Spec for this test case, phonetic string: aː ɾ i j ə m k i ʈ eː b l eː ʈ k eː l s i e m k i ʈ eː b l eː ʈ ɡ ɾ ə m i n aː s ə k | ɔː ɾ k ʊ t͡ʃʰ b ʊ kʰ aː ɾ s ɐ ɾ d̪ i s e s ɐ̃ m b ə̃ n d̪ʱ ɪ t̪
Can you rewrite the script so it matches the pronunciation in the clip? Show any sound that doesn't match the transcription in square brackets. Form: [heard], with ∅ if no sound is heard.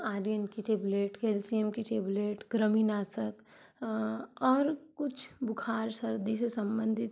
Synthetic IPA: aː ɾ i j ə [n] k i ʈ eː b l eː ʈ k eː l s i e m k i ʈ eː b l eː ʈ ɡ ɾ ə m i n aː s ə k | ɔː ɾ k ʊ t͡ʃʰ b ʊ kʰ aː ɾ s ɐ ɾ d̪ i s e s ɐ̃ m b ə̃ n d̪ʱ ɪ t̪